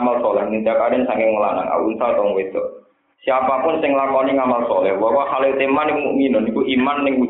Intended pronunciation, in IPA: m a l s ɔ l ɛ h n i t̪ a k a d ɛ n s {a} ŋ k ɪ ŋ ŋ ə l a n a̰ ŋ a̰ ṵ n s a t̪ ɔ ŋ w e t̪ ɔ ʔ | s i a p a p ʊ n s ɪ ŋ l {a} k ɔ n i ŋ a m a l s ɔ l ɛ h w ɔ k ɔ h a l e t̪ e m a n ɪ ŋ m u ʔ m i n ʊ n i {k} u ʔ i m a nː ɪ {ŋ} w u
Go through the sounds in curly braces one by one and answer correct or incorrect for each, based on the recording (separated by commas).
correct, correct, correct, correct